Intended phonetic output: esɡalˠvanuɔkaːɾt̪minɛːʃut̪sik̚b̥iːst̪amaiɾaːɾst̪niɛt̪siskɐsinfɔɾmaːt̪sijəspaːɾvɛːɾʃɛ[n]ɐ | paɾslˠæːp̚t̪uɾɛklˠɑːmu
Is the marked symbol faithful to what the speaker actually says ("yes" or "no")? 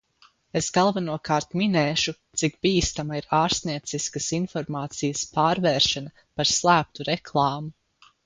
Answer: yes